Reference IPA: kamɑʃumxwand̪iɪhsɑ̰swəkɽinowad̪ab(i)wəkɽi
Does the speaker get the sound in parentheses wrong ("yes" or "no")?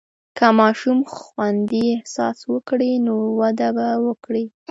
yes